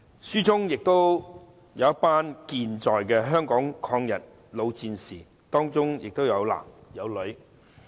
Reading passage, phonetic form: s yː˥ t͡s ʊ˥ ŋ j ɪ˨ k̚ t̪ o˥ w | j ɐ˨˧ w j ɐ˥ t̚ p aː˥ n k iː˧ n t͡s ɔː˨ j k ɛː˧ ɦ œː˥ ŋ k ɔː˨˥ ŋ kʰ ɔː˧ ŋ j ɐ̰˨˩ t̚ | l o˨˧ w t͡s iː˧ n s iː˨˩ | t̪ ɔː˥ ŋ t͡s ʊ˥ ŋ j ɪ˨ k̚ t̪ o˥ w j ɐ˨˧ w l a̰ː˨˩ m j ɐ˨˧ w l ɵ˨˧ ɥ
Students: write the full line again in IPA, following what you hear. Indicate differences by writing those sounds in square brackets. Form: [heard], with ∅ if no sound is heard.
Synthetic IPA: s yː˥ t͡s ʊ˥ ŋ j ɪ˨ k̚ t̪ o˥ w | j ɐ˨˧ w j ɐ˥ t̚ p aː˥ n k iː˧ n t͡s ɔː˨ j k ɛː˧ ɦ œː˥ ŋ k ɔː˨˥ ŋ kʰ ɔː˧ ŋ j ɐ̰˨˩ t̚ | l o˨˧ w t͡s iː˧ n s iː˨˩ | t̪ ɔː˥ ŋ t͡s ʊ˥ ŋ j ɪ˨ k̚ t̪ o˥ w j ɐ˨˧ w l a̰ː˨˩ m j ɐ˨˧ w l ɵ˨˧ ɥ

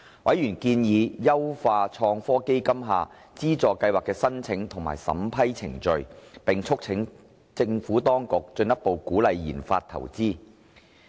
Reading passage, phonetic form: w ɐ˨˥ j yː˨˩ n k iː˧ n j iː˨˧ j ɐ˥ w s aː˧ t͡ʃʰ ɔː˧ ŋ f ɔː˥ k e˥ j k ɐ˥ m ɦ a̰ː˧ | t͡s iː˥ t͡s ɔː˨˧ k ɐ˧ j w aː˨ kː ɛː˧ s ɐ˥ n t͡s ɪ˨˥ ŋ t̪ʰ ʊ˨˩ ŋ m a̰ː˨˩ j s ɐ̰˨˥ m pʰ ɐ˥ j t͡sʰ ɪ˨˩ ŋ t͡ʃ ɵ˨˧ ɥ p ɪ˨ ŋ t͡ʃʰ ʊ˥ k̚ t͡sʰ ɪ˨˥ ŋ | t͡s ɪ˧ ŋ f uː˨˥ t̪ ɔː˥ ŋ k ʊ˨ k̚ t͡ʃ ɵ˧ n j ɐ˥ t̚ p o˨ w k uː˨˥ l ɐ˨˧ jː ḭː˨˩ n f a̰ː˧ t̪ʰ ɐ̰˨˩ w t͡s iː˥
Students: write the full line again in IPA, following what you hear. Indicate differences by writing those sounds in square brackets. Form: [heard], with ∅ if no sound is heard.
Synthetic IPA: w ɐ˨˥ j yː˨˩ n k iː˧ n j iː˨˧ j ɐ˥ w [f] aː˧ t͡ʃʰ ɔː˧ ŋ f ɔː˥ k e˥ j k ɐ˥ m ɦ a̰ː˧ | t͡s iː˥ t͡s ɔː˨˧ k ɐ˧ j w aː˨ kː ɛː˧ s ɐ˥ n [t͡sʰ] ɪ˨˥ ŋ t̪ʰ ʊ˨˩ ŋ m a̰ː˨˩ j s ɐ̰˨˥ m pʰ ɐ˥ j t͡sʰ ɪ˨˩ ŋ t͡ʃ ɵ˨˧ ɥ p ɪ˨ ŋ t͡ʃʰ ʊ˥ k̚ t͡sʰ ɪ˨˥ ŋ | t͡s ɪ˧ ŋ f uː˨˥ t̪ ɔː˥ ŋ k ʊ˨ k̚ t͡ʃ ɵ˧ n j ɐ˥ t̚ p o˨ w k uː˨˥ l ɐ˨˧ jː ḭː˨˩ n f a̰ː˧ t̪ʰ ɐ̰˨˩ w t͡s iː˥

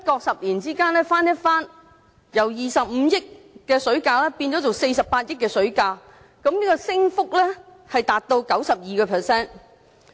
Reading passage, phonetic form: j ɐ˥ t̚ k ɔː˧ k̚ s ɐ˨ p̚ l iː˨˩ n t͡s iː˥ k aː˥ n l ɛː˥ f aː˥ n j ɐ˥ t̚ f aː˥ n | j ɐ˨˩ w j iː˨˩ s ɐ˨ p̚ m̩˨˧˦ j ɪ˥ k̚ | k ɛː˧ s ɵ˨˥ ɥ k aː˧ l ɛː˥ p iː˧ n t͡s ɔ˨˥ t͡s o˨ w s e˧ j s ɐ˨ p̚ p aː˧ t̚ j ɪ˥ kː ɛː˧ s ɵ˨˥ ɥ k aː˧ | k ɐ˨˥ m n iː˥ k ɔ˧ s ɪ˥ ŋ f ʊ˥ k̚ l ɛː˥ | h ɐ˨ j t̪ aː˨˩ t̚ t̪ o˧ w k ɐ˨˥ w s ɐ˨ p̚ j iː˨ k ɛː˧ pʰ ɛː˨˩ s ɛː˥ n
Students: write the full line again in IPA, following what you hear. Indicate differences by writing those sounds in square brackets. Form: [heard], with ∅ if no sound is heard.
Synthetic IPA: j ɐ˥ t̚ k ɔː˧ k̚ s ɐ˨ p̚ l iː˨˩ n t͡s iː˥ k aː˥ n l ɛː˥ f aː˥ n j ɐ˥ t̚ f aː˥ n | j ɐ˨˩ w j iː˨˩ s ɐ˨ p̚ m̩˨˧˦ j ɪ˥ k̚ | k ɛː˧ s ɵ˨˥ ɥ k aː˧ l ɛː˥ p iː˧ n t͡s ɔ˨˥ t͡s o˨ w s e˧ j s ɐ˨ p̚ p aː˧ t̚ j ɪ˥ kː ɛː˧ s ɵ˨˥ ɥ k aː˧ | k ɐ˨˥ m n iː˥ k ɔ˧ s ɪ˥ ŋ f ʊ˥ k̚ l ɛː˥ | h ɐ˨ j t̪ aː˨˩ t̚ t̪ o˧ w k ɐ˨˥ w s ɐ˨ p̚ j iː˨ k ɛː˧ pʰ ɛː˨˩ s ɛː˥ n

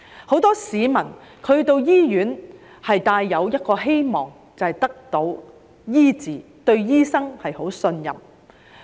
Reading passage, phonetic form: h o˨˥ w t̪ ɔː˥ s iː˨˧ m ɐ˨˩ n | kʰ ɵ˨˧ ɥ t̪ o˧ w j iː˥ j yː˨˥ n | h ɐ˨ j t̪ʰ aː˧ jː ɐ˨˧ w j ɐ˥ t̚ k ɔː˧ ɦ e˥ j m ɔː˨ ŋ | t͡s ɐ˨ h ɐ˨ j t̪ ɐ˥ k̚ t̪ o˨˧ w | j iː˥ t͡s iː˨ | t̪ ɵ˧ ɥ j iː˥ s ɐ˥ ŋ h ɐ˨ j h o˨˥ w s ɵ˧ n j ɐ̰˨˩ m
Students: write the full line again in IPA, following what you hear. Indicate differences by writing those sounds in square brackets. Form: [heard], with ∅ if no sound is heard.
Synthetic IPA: h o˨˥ w t̪ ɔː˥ s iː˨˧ m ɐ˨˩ n | kʰ ɵ˨˧ ɥ t̪ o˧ w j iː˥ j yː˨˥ n | h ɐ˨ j [t̪] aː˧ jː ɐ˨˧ w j ɐ˥ t̚ k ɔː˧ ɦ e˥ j m ɔː˨ ŋ | t͡s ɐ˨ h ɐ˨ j t̪ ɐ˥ k̚ t̪ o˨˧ w | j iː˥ t͡s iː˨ | t̪ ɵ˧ ɥ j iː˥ s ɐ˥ ŋ h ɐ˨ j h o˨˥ w s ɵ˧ n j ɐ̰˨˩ m

